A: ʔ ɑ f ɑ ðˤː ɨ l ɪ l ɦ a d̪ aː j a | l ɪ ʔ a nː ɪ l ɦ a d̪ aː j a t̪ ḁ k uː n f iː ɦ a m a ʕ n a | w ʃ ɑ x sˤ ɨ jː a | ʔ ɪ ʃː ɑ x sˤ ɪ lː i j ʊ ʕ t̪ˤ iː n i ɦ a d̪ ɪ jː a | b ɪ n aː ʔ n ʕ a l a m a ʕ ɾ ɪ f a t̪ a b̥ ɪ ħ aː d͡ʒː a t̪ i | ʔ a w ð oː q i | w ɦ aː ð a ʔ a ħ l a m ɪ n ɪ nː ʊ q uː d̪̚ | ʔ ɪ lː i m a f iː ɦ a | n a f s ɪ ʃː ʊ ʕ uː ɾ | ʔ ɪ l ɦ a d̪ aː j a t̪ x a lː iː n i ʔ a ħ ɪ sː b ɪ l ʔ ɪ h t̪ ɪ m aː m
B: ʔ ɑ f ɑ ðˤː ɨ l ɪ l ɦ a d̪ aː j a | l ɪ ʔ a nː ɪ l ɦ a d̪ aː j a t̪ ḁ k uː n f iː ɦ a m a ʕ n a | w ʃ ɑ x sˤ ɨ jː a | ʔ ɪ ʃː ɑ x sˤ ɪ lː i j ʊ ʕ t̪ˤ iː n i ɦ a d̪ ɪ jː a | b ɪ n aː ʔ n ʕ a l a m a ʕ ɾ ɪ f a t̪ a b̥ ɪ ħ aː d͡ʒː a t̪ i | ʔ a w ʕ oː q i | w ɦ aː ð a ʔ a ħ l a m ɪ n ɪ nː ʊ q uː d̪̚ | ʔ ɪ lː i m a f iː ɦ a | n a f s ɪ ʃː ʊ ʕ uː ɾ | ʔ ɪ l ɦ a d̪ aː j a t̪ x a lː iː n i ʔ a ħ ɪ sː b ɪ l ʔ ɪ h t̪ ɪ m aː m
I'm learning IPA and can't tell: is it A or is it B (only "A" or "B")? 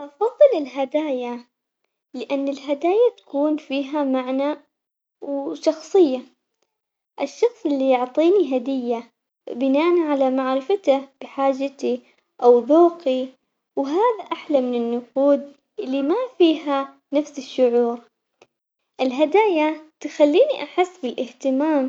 A